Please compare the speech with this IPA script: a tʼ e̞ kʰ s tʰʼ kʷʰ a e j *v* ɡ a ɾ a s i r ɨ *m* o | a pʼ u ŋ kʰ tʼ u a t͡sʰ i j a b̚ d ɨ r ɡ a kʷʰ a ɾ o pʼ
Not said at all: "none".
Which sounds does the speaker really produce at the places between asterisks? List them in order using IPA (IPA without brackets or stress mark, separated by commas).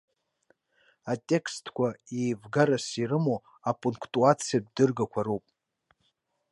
v, m